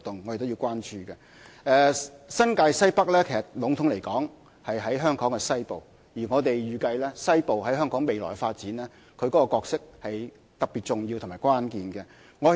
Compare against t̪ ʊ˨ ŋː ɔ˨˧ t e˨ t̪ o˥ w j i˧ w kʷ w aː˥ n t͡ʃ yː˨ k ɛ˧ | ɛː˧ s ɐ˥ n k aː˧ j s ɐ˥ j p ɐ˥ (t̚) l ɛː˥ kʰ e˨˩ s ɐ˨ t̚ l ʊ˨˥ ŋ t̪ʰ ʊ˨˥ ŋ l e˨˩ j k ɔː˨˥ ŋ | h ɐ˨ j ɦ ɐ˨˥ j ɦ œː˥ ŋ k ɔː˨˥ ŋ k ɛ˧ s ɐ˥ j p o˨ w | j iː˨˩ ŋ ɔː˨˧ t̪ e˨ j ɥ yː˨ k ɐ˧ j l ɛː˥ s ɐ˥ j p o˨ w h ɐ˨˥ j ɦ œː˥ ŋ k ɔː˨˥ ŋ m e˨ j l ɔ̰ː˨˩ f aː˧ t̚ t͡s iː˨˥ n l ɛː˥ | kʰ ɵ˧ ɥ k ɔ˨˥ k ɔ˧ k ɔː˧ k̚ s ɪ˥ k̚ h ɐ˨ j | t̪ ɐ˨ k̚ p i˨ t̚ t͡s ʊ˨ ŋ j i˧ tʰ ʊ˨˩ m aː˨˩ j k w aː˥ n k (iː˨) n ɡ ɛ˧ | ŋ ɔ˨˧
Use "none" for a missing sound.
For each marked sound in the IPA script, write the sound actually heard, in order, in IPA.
k̚, iː˨

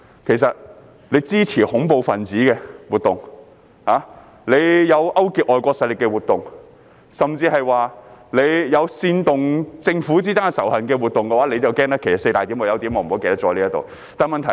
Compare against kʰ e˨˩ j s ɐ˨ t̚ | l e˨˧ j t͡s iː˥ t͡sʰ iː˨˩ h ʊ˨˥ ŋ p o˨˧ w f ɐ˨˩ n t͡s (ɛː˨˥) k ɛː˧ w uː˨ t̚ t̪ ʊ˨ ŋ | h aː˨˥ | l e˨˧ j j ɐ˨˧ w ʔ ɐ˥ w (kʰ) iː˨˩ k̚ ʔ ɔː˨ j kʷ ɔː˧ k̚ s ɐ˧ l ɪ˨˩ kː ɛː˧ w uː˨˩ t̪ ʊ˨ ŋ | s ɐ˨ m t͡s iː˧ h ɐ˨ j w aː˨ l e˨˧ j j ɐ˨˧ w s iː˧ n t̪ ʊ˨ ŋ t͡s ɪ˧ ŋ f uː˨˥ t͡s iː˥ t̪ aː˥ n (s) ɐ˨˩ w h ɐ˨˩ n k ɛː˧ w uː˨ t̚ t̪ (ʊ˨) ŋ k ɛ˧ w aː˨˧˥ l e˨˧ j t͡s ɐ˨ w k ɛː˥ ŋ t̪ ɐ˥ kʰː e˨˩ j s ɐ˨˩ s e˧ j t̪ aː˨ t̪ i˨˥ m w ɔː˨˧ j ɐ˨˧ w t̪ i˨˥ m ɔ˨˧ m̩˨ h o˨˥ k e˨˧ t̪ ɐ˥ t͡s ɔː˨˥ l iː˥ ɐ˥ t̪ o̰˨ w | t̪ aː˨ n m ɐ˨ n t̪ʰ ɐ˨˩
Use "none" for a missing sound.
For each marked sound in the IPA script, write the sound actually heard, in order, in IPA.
iː˨˥, k, s, ʊ˨

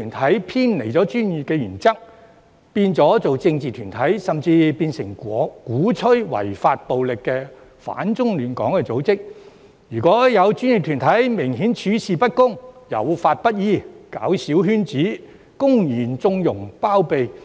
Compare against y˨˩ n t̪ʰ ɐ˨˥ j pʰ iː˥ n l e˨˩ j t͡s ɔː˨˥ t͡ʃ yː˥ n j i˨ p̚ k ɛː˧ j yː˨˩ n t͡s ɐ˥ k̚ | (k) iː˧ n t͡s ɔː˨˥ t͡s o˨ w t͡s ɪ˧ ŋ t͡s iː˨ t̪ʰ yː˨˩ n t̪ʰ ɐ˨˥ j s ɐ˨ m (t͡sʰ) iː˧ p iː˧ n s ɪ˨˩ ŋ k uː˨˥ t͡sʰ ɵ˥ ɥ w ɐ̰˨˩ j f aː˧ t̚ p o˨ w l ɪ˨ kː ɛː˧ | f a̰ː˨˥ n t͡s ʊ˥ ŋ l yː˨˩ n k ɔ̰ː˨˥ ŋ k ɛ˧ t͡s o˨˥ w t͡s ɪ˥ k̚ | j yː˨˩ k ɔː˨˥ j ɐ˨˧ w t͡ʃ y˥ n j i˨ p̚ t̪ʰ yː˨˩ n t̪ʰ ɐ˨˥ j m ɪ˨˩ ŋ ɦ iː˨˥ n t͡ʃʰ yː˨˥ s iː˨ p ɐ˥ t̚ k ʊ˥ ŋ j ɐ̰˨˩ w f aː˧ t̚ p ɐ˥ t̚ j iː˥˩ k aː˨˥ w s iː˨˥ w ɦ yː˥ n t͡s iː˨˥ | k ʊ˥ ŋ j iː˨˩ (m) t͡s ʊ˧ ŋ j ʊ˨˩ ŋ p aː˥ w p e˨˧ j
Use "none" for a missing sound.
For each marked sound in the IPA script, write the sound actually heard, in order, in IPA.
p, t͡s, n

